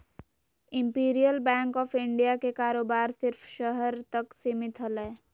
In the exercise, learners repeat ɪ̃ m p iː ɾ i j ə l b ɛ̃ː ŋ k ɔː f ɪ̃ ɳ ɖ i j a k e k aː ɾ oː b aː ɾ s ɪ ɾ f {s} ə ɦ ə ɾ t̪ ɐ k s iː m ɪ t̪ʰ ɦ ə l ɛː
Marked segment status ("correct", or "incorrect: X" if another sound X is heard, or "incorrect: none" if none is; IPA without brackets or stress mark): incorrect: ʃ